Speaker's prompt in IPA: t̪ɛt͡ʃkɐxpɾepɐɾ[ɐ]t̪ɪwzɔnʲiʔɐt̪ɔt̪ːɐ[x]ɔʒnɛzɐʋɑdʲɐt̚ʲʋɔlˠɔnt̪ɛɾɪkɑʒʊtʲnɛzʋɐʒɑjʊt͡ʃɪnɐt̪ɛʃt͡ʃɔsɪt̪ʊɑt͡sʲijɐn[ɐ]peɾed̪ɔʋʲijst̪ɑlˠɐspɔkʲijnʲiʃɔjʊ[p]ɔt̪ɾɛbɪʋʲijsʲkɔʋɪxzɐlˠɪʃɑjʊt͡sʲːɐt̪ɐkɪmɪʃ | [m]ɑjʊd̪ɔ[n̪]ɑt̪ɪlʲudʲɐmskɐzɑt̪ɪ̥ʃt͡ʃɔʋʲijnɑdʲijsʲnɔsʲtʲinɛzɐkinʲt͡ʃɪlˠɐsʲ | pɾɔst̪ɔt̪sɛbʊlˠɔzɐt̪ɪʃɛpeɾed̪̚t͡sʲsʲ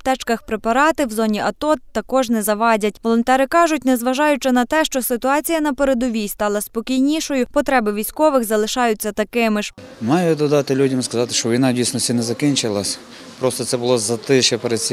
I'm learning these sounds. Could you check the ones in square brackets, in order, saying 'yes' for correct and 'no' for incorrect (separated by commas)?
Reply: no, no, yes, yes, yes, no